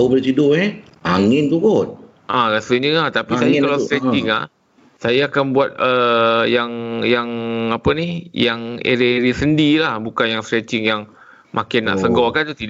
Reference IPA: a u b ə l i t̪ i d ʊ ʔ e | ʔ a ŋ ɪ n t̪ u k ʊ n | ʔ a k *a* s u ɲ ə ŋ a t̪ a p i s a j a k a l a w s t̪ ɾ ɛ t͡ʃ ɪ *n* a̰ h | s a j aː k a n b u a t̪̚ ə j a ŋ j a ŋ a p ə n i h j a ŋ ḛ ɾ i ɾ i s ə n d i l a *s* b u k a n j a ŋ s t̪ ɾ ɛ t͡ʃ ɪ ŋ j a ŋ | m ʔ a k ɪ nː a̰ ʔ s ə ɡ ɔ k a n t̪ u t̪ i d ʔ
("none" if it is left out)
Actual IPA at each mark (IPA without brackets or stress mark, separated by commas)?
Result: a, ŋ, h